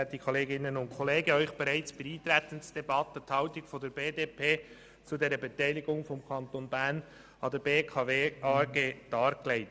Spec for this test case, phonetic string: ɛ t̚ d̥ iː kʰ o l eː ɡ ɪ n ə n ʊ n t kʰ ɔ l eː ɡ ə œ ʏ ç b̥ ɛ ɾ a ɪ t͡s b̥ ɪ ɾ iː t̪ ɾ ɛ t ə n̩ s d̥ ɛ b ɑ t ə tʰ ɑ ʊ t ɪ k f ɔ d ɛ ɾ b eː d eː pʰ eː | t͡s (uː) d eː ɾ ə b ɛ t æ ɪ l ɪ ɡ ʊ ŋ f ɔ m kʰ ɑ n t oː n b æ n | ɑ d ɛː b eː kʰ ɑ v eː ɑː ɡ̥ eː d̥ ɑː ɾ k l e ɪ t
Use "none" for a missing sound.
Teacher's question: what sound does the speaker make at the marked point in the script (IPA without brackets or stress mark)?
u